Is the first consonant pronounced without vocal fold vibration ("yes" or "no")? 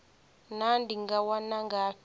no